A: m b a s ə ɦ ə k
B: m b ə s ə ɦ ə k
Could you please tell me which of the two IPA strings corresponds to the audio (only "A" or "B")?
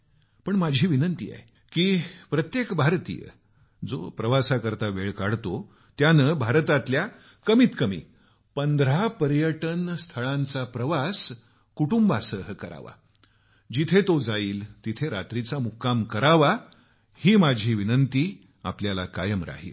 A